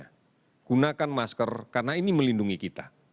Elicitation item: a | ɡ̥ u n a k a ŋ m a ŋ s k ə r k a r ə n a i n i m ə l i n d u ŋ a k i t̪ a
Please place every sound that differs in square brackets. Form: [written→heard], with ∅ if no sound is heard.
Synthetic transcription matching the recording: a | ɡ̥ u n a k a [ŋ→n] m a [ŋ→∅] s k ə r k a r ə n a i n i m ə l i n d u ŋ [a→i] k i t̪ a